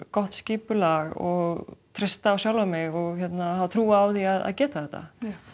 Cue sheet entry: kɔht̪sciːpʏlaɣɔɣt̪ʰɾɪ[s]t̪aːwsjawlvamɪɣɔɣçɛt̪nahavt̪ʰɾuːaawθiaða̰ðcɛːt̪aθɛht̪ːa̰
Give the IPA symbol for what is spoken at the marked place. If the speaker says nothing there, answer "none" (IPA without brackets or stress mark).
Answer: s